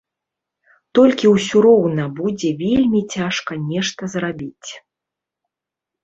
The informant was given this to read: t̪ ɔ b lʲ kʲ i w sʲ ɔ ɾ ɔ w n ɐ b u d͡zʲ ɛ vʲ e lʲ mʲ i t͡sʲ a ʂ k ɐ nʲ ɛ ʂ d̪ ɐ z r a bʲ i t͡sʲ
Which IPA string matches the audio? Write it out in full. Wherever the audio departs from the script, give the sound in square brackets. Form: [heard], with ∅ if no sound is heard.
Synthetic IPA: t̪ ɔ [∅] lʲ kʲ i w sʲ [u] ɾ ɔ w n ɐ b u d͡zʲ ɛ vʲ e lʲ mʲ i t͡sʲ a ʂ k ɐ nʲ ɛ ʂ [t̪] ɐ z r a bʲ i t͡sʲ